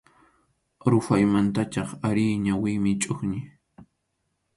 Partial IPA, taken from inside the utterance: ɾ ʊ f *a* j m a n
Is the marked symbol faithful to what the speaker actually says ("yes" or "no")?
yes